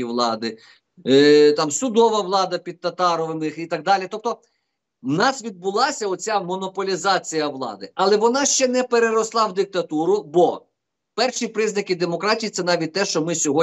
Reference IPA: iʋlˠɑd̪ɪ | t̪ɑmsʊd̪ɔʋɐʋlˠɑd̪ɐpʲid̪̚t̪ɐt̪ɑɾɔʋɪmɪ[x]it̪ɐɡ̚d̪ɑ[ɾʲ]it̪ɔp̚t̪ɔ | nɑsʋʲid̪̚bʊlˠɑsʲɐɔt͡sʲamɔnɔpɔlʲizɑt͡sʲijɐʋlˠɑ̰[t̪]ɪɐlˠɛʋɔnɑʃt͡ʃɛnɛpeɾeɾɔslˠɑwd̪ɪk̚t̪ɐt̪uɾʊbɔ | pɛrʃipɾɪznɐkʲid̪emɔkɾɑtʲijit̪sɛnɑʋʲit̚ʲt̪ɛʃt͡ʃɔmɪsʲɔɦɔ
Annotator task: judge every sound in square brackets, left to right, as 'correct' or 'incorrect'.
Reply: correct, incorrect: lʲ, incorrect: d̪

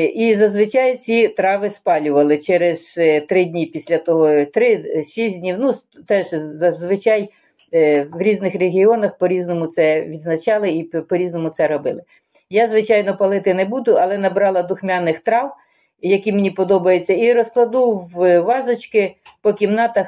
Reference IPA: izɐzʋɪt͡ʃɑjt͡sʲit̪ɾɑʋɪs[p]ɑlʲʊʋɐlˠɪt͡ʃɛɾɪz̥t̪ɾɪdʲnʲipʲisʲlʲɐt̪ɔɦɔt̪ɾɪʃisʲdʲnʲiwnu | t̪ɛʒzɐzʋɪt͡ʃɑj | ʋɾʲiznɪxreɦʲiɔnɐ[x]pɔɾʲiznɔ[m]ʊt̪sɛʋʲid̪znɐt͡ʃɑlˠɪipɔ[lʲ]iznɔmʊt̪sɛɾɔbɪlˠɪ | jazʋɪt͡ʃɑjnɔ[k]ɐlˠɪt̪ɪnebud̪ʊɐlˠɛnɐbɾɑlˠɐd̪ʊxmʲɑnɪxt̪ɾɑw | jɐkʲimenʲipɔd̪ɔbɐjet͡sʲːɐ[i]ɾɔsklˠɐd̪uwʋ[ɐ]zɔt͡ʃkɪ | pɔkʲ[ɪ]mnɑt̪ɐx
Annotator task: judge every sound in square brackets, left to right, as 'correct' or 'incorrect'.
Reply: correct, correct, correct, incorrect: ɾʲ, incorrect: p, correct, incorrect: ɑ, incorrect: i

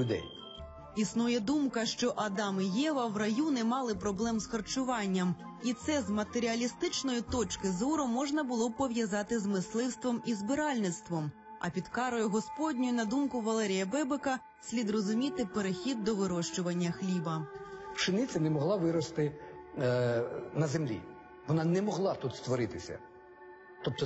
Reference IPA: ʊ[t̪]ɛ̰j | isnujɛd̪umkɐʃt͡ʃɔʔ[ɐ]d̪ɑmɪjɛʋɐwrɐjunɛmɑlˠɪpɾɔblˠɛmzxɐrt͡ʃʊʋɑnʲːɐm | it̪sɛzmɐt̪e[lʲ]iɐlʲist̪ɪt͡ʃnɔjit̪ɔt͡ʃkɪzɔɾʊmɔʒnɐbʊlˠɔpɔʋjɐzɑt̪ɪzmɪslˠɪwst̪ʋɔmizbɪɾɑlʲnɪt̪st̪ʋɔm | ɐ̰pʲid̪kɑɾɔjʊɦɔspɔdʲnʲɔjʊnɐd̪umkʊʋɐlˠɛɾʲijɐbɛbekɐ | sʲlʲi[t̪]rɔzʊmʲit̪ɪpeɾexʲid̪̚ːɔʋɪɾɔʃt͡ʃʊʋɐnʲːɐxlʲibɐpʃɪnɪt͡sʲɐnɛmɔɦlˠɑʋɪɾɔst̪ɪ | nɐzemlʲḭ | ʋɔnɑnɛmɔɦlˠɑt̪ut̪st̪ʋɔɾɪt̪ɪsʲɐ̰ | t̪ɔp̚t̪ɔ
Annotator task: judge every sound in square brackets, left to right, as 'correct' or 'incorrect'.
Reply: incorrect: d̪, correct, incorrect: ɾʲ, incorrect: d̪

